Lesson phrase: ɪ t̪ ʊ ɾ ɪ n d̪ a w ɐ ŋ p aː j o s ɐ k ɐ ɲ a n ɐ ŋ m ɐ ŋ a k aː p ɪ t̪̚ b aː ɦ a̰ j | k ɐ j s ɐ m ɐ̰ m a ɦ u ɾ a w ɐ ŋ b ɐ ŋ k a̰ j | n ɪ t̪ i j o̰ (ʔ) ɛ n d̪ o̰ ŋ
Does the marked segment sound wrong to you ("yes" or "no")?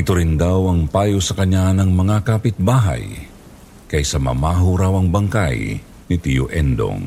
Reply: no